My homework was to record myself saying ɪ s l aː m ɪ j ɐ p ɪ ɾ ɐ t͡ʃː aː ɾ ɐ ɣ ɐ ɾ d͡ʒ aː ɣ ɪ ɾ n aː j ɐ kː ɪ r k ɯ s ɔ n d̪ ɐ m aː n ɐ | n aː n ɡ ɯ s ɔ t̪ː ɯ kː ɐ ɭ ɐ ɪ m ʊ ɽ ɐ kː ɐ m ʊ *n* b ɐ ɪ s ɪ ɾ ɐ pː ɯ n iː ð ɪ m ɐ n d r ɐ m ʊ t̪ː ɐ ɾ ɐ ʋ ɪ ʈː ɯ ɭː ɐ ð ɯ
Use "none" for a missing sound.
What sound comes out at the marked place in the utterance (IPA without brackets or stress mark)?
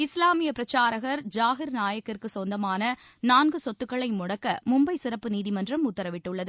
m